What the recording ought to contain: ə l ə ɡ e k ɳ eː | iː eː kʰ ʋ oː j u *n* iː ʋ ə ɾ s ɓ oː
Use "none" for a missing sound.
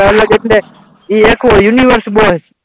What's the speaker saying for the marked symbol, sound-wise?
n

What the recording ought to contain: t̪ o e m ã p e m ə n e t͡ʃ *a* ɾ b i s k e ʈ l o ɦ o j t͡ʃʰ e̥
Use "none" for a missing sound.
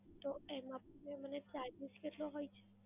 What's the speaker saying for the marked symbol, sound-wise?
a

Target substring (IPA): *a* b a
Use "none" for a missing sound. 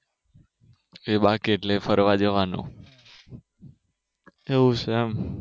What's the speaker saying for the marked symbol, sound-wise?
e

